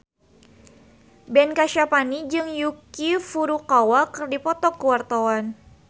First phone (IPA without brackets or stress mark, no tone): b